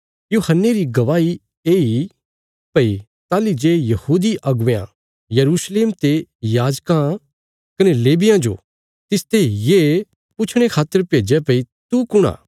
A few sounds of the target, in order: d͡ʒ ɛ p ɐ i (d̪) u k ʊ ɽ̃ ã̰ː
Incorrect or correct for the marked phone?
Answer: incorrect: t̪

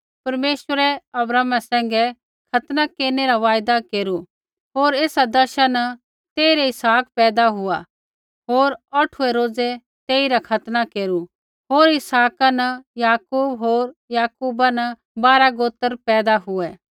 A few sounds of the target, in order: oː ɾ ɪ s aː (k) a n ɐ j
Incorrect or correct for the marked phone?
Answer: correct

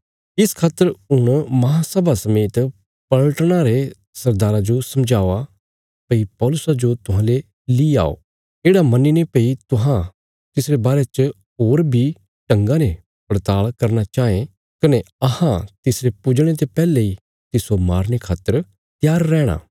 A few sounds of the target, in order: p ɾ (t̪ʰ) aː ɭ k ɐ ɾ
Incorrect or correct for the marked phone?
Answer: incorrect: t̪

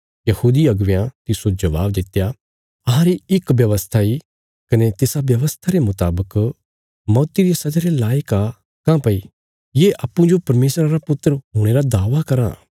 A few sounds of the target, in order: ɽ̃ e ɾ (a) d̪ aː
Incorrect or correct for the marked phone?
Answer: correct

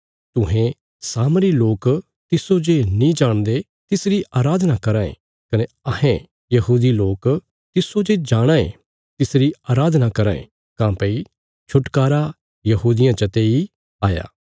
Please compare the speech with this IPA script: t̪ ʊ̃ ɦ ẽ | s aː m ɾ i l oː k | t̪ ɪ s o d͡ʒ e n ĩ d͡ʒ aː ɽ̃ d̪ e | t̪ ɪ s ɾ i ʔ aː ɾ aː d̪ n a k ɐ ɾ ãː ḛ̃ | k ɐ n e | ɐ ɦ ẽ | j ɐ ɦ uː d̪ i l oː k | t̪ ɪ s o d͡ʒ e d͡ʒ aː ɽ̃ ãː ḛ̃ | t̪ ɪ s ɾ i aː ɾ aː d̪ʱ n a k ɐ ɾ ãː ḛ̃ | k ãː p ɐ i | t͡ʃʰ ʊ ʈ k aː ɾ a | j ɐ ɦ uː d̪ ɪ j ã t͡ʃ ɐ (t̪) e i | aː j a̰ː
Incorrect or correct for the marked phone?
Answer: correct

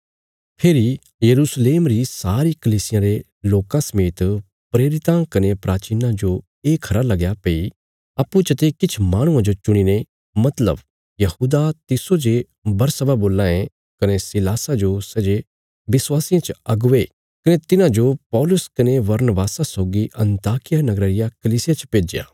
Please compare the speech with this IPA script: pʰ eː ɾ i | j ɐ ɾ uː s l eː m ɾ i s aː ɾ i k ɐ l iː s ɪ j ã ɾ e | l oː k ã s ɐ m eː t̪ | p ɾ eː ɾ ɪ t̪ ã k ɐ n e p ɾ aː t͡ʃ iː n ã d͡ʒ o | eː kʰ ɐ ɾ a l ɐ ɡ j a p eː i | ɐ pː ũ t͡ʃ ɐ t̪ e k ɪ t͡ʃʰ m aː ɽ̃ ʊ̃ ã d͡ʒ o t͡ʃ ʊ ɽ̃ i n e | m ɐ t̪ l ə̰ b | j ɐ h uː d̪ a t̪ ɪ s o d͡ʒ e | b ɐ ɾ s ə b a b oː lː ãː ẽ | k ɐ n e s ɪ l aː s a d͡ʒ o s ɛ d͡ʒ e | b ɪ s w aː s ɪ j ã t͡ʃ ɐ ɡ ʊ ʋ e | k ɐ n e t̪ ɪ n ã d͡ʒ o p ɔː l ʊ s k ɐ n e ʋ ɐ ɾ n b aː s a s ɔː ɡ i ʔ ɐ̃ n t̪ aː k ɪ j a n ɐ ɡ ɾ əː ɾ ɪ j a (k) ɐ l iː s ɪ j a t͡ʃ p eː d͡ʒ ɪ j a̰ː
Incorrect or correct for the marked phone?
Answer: correct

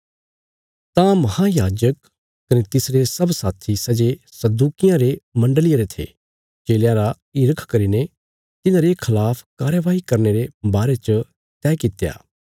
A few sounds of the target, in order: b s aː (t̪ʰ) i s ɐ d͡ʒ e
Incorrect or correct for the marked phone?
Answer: correct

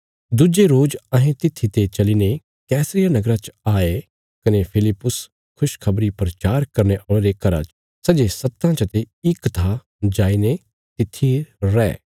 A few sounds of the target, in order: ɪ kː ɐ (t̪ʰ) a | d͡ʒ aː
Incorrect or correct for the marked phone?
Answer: correct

